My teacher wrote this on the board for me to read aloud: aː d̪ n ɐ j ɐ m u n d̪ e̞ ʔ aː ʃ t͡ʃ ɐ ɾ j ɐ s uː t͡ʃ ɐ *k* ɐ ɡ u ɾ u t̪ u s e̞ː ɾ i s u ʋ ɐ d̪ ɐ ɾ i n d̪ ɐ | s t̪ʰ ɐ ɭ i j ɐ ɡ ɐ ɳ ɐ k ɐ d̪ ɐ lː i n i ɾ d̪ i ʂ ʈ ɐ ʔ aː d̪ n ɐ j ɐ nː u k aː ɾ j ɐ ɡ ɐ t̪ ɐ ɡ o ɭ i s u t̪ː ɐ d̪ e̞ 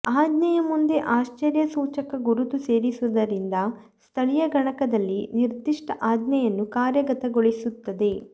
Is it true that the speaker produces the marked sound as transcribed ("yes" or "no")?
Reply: yes